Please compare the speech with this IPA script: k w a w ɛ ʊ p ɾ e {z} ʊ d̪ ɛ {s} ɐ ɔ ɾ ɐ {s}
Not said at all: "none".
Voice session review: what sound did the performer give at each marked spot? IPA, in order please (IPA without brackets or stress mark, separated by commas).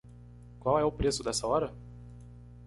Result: s, s, none